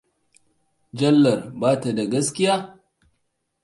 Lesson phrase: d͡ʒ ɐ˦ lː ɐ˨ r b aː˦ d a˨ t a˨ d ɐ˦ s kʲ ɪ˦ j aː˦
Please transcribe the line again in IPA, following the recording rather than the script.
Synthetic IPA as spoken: d͡ʒ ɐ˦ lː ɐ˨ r b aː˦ t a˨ d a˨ ɡ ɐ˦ s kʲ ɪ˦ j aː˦

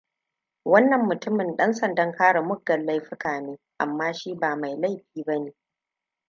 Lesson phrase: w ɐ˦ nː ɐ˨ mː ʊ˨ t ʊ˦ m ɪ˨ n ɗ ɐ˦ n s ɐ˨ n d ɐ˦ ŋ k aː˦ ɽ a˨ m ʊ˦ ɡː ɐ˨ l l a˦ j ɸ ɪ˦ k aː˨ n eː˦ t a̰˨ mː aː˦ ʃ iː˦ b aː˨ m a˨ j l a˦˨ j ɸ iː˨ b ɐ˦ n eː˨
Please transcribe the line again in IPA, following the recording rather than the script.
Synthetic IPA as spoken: w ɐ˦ nː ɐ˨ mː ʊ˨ t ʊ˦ m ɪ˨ n ɗ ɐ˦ n s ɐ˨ n d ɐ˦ ŋ k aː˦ ɽ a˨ m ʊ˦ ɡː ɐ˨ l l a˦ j ɸ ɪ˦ k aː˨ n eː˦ ʔ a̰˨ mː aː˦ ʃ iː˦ b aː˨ m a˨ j l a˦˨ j ɸ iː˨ b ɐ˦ n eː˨

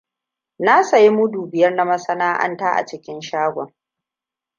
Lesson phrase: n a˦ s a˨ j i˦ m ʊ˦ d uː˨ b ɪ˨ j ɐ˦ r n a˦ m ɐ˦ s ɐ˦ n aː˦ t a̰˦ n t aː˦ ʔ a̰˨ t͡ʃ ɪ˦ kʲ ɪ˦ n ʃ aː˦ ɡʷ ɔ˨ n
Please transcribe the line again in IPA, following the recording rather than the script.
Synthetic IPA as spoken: n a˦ s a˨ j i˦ m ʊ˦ d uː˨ b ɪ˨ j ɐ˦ r n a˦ m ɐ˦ s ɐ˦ n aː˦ ʔ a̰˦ n t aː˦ ʔ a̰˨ t͡ʃ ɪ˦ kʲ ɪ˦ n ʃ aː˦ ɡʷ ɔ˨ ŋ

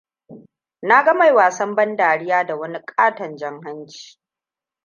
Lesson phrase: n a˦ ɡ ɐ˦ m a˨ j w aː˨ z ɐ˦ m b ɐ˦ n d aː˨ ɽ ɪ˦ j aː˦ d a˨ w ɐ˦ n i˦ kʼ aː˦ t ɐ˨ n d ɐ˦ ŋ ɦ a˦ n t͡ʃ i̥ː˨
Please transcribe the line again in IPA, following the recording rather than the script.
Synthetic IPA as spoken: n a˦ ɡ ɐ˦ m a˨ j w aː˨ s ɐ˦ m b ɐ˦ n d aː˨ ɽ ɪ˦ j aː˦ d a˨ w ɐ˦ n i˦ kʼ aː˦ t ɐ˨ n d͡ʒ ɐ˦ ŋ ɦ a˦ n t͡ʃ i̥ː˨

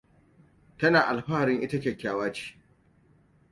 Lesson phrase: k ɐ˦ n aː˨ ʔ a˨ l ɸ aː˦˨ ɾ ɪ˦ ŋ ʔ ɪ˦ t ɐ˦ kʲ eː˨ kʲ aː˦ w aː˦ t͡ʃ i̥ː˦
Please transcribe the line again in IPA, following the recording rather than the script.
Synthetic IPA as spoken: t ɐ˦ n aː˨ ʔ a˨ l ɸ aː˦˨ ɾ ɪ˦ ŋ ʔ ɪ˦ t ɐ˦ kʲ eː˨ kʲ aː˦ w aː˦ t͡ʃ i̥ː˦

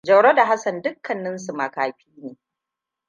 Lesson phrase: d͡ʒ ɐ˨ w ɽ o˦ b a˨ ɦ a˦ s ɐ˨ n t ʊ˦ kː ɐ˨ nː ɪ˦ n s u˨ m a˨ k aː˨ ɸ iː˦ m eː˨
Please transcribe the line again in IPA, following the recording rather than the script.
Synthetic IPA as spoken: d͡ʒ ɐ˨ w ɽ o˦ d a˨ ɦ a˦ s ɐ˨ n d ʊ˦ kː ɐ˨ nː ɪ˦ n s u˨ m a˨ k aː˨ ɸ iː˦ n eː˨

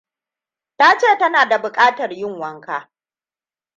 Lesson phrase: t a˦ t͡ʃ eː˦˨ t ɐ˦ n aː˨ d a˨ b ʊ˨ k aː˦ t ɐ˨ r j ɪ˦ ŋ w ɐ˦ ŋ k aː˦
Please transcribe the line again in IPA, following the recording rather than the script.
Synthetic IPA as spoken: t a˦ t͡ʃ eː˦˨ t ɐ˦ n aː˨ d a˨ b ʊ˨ kʼ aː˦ t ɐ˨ r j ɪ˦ ŋ w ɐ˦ ŋ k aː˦

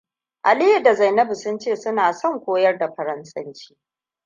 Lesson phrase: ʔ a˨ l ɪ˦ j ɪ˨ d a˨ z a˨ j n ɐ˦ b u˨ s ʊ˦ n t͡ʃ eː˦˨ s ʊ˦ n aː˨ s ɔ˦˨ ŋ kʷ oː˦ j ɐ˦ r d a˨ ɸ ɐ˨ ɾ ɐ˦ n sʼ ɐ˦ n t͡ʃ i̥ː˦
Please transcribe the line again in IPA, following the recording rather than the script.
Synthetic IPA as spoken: ʔ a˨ l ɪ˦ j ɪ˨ d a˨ z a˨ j n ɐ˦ b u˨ s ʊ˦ n t͡ʃ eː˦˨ s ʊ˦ n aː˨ s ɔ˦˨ ŋ kʷ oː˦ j ɐ˦ r d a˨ ɸ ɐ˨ ɾ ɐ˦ n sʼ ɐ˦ n t͡ʃ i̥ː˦

